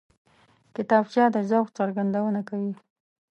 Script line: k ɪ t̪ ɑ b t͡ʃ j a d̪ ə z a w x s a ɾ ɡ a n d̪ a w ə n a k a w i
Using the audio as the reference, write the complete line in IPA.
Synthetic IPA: k ɪ t̪ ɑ b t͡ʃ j ɑ d̪ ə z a w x t͡s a ɾ ɡ a n d̪ a w ə n a k a w i